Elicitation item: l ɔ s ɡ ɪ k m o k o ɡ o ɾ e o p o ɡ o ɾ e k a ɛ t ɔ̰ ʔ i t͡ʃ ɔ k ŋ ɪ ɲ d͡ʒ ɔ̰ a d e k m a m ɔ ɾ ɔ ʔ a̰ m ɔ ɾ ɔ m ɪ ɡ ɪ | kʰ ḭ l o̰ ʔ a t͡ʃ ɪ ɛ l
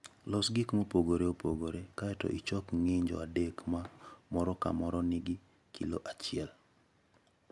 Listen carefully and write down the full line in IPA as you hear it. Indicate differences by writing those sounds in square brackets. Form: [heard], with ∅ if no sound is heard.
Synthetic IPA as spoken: l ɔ s ɡ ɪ k m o [p] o ɡ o ɾ e o p o ɡ o ɾ e k a ɛ t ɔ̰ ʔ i t͡ʃ ɔ k ŋ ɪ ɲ d͡ʒ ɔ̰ a d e k m a m ɔ ɾ ɔ [k] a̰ m ɔ ɾ ɔ [n] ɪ ɡ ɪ | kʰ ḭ l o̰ ʔ a t͡ʃ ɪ ɛ l